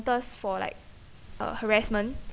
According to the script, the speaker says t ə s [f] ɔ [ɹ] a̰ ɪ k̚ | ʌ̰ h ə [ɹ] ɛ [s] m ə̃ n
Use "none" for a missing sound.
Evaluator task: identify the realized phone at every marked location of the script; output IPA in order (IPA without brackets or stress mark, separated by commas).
f, l, ɹ, s